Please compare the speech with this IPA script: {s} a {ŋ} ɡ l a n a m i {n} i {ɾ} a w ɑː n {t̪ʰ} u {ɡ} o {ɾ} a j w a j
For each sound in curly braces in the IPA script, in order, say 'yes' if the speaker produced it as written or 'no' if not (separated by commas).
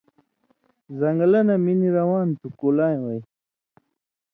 no, yes, yes, yes, no, no, no